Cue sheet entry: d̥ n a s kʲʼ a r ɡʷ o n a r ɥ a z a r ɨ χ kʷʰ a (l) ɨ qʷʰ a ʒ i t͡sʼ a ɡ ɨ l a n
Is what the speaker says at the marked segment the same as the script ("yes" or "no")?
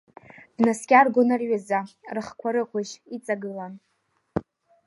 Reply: no